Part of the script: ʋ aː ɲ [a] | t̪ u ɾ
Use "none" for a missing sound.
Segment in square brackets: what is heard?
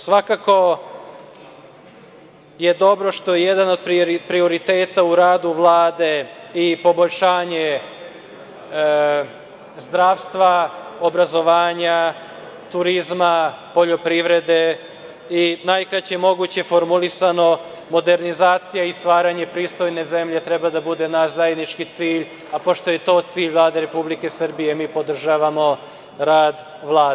a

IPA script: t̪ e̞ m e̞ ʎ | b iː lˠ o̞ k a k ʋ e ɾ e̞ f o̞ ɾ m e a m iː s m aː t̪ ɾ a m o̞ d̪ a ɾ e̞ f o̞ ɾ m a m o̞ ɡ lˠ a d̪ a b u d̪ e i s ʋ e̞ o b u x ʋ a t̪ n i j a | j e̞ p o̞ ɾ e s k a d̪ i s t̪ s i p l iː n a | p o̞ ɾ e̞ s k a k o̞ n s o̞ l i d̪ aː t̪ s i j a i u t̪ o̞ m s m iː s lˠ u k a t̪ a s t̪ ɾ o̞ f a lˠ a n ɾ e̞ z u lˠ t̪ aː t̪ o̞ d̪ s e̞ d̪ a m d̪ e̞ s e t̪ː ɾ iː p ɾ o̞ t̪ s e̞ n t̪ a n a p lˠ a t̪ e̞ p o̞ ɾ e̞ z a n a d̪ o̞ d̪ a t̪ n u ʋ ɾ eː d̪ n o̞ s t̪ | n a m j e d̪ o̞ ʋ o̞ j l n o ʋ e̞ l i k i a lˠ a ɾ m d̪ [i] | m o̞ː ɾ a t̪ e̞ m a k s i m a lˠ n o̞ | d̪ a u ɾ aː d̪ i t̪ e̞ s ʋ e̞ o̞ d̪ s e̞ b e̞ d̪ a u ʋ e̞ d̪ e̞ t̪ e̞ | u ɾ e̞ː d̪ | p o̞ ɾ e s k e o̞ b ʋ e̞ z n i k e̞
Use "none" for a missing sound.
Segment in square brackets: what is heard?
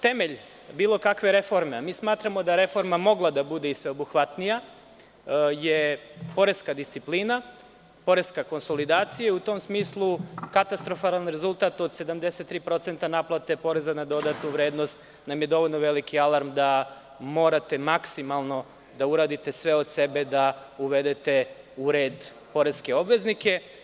a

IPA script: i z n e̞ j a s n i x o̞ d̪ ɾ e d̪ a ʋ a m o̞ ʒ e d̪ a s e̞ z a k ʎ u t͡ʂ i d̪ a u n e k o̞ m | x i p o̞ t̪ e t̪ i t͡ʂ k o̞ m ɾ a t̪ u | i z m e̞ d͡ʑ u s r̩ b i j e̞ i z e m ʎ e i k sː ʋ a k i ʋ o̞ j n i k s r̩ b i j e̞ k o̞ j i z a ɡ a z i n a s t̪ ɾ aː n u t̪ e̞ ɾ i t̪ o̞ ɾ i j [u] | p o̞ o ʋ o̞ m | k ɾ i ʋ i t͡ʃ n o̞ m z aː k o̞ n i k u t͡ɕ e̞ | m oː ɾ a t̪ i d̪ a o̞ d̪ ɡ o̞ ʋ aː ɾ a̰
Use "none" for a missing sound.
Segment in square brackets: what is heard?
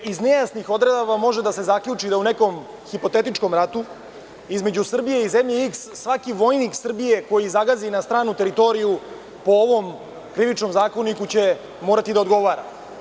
u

